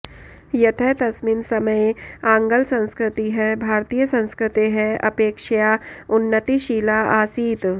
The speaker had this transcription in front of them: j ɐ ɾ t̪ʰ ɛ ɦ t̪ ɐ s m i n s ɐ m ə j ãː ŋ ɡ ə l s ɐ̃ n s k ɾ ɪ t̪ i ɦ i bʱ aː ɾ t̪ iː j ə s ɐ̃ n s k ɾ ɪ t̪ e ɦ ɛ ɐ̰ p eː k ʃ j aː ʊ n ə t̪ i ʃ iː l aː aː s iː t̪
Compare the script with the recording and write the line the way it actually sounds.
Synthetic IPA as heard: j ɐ t̪ʰ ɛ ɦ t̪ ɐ s m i n s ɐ m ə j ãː ŋ ɡ ə l s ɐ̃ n s k ɾ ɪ t̪ i ɦ ɛ bʱ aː ɾ t̪ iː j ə s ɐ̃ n s k ɾ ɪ t̪ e ɦ ɛ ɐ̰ p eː k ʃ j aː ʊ nː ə t̪ i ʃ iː l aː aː s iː t̪